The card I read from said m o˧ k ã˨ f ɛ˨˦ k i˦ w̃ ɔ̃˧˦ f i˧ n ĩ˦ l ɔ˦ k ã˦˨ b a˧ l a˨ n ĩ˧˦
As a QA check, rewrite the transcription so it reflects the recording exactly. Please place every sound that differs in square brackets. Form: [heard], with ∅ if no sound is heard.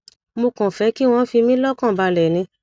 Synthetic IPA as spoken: m o˧ k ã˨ f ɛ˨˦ k i˦ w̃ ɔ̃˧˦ f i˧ [m] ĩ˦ l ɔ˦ k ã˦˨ b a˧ l [ɛ˨] n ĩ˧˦

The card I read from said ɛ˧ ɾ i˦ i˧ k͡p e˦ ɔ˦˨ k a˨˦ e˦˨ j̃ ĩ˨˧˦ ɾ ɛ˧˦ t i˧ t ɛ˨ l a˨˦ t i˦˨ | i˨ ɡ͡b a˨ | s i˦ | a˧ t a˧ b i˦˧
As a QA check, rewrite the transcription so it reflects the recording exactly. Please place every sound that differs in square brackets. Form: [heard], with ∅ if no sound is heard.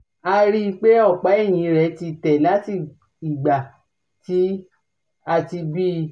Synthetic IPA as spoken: [a˧] ɾ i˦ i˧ k͡p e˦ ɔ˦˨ [k͡p] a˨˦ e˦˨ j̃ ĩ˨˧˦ ɾ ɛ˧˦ t i˧ t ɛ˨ l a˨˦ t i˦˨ | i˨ ɡ͡b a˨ | [t] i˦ | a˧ t [i˧] b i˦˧

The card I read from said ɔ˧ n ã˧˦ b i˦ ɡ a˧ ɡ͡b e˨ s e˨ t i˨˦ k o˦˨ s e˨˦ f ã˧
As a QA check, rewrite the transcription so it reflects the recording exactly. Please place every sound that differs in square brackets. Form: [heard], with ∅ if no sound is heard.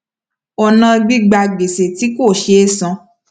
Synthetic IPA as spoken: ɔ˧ n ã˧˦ [ɡ͡b] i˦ [ɡ͡b] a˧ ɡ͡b e˨ s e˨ t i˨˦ k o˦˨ [ʃ] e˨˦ [s] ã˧

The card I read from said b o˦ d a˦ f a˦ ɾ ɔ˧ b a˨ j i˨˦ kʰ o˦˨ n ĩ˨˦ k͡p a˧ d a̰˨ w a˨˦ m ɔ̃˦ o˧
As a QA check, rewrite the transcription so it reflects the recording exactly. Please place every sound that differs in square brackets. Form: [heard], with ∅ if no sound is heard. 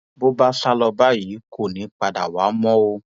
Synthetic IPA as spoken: b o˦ [b] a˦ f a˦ [l] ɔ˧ b [a˦] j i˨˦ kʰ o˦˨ n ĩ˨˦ k͡p a˧ d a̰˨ w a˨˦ m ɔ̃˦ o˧

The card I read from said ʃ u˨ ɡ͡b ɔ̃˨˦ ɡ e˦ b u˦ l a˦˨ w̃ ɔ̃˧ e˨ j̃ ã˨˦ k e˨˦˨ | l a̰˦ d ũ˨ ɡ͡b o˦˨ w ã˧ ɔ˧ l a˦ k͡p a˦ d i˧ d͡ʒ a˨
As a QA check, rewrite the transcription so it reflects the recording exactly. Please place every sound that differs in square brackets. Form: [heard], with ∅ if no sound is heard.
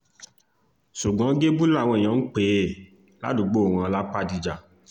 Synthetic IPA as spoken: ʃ u˨ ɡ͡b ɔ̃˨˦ ɡ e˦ b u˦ l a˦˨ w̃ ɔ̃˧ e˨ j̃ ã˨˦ [k͡p] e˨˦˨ | l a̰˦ d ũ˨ ɡ͡b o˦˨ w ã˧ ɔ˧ l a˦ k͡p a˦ d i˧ d͡ʒ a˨

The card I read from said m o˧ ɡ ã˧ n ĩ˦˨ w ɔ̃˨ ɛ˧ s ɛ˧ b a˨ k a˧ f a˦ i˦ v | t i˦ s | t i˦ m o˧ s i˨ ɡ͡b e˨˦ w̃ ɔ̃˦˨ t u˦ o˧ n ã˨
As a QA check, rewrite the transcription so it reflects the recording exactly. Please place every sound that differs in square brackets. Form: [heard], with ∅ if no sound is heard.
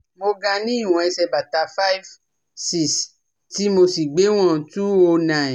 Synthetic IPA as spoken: m o˧ ɡ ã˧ n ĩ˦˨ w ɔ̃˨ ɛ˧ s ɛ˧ b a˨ [t] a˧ f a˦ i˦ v | [s] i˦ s | t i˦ m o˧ s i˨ ɡ͡b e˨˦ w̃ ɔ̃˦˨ t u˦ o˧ n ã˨

